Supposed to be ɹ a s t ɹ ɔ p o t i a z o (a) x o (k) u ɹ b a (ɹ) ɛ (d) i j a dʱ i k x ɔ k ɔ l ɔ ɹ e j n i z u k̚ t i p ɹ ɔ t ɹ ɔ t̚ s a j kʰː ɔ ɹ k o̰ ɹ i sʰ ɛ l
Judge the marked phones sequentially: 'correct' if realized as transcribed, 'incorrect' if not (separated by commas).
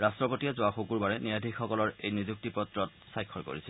correct, correct, correct, incorrect